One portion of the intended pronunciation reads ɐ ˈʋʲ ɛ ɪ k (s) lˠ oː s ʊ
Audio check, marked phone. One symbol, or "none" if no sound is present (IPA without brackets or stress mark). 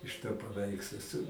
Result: s